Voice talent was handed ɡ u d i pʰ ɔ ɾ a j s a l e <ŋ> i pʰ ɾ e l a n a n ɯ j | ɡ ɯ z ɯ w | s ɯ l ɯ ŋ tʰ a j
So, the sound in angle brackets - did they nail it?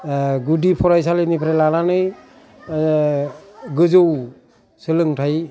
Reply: no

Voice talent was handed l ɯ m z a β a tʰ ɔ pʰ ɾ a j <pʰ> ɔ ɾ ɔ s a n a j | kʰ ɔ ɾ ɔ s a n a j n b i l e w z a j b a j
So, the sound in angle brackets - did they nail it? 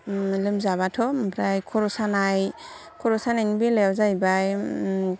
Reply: no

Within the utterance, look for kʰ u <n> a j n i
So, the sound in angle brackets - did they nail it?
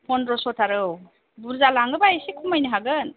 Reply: no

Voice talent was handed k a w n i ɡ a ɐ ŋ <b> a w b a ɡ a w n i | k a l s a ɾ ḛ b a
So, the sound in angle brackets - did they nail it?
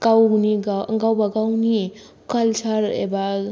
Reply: no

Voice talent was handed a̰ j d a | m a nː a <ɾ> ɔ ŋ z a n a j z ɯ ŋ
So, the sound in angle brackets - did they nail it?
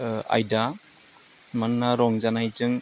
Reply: yes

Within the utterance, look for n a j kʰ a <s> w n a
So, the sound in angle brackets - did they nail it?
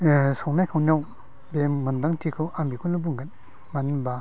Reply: no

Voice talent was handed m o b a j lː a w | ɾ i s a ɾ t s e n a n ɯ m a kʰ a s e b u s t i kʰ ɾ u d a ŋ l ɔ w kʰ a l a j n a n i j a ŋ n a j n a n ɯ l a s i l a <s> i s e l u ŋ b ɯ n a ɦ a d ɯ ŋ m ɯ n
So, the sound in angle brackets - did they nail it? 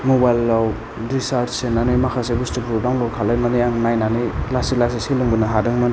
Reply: yes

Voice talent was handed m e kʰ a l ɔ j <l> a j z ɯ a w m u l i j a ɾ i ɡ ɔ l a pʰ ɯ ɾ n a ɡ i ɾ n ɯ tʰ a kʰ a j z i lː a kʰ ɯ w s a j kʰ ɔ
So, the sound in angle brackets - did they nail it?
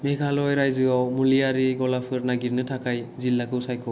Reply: no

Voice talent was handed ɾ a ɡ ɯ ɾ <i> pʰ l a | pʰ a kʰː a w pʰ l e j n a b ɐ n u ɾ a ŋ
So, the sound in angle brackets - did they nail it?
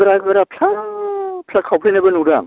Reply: no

